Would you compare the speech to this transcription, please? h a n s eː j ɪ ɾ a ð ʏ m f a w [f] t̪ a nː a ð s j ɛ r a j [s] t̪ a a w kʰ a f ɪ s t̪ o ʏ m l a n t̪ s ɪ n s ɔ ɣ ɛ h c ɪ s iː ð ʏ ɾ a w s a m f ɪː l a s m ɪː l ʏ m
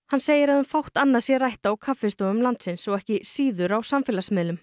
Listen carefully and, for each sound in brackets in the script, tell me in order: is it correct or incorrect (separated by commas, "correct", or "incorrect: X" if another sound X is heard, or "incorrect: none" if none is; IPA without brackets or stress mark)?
incorrect: h, incorrect: h